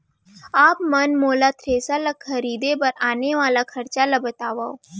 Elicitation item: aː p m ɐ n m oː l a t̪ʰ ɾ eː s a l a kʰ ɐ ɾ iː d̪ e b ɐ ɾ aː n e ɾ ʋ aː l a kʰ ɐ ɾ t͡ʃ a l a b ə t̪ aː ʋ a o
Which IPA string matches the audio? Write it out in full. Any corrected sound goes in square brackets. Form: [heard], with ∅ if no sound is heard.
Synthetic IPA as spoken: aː p m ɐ n m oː l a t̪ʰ ɾ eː s a l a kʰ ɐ ɾ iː d̪ e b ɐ ɾ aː n e [∅] ʋ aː l a kʰ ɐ ɾ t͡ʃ a l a b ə t̪ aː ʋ a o

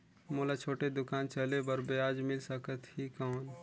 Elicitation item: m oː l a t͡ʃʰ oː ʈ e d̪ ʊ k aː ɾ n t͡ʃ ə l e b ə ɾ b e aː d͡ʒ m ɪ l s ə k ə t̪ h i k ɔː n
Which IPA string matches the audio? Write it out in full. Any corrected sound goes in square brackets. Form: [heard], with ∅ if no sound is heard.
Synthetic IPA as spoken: m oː l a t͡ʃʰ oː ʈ e d̪ ʊ k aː [∅] n t͡ʃ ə l e b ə ɾ b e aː d͡ʒ m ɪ l s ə k ə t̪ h i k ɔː n

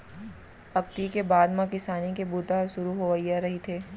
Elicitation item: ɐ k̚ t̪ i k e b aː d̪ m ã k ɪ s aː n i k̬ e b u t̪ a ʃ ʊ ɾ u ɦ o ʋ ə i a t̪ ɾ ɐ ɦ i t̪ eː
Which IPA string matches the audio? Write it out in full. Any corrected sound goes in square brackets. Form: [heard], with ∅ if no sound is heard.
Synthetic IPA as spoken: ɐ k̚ t̪ i k e b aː d̪ m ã k ɪ s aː n i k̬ e b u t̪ a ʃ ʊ ɾ u ɦ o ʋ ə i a [∅] ɾ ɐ ɦ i [t̪ʰ] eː

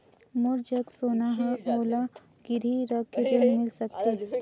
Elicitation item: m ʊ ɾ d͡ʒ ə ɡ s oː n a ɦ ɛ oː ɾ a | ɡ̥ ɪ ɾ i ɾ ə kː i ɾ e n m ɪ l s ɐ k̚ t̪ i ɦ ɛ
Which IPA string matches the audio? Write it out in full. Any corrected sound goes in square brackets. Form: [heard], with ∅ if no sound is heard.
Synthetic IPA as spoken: m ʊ ɾ d͡ʒ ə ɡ s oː n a ɦ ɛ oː [l] a | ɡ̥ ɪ ɾ i ɾ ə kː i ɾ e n m ɪ l s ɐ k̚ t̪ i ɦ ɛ

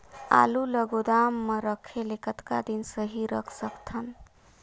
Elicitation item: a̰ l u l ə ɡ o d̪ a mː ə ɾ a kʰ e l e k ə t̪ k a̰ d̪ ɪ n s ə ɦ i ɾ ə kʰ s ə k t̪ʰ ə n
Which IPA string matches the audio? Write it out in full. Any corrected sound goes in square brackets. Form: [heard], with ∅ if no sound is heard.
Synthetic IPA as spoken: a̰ l u l ə ɡ o d̪ a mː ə ɾ [ə] kʰ e l e k ə t̪ k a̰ d̪ [i] n s ə ɦ i ɾ ə kʰ s ə k t̪ʰ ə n

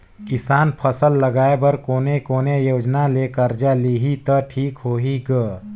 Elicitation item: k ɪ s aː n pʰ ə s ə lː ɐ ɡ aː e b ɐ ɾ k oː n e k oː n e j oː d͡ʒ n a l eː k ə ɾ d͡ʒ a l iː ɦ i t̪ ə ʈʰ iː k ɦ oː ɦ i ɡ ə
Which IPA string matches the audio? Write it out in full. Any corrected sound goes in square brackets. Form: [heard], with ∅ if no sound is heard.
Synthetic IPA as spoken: k ɪ s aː n pʰ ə s ə lː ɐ ɡ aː e b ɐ ɾ k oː n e k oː n e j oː d͡ʒ n a l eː k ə ɾ d͡ʒ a l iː ɦ i t̪ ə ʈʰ iː k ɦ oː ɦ i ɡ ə

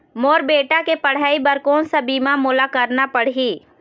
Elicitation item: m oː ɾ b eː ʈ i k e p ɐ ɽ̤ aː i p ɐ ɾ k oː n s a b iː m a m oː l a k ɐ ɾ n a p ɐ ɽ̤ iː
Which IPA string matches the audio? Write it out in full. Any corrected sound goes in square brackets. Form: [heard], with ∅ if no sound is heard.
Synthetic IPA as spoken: m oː ɾ b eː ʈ [a] k e p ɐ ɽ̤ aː i [b] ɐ ɾ k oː n s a b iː m a m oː l a k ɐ ɾ n a p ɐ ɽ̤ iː

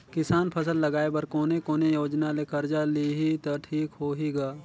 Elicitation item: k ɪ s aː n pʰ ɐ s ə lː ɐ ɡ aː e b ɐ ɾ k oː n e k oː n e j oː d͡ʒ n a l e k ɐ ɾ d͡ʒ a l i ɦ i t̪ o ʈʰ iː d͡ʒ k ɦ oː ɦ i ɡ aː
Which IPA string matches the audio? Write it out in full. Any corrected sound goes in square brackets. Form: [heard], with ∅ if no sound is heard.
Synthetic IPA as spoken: k ɪ s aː n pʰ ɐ s ə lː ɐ ɡ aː e b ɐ ɾ k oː n e k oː n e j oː d͡ʒ n a l e k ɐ ɾ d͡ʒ a l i ɦ i t̪ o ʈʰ iː [∅] k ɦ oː ɦ i ɡ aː

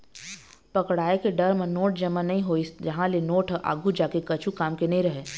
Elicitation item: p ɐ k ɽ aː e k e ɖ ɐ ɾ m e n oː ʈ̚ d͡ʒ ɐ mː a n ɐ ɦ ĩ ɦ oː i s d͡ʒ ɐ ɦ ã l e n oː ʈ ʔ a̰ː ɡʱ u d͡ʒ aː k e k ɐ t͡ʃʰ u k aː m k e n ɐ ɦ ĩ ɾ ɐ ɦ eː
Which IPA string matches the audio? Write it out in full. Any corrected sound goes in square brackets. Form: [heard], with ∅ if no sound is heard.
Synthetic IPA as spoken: p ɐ k ɽ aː e k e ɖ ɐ ɾ m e n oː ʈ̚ d͡ʒ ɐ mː a n ɐ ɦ ĩ ɦ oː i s d͡ʒ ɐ ɦ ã l e n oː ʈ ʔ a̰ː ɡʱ u d͡ʒ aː k e k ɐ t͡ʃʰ u k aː m k e n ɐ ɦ ĩ ɾ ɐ ɦ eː

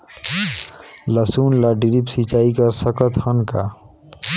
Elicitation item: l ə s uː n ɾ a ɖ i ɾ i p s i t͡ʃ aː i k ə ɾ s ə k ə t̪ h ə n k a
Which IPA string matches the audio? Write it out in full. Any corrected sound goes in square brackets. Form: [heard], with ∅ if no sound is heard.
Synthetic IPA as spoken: l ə s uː n [l] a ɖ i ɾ i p s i t͡ʃ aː i k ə ɾ s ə k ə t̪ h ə n k a

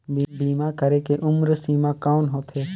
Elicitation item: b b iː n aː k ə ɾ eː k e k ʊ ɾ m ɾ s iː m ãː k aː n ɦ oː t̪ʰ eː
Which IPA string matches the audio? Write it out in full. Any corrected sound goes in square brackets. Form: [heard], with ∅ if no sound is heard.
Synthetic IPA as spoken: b b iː [m] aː k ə ɾ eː k e [ʔ] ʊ [∅] m ɾ s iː m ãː k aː n ɦ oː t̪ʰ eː

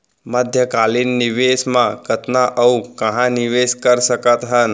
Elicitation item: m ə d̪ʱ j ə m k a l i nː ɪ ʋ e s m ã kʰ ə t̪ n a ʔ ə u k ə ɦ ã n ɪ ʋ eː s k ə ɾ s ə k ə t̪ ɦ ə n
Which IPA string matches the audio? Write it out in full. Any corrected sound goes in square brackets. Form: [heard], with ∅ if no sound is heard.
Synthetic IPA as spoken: m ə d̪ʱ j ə [∅] k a l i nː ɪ ʋ e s m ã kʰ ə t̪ n a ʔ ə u k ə ɦ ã n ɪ ʋ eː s k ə ɾ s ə k ə t̪ ɦ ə n

